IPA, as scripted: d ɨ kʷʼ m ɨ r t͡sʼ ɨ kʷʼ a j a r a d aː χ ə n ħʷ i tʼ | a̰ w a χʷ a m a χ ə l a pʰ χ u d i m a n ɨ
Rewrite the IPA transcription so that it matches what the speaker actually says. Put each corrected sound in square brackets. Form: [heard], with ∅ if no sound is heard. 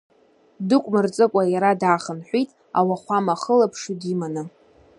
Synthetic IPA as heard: d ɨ kʷʼ m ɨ r t͡sʼ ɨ kʷʼ a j a [ɾ] a d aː χ ə n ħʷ i tʼ | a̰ w a χʷ a m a χ ə l a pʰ [ʂ] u d i m a n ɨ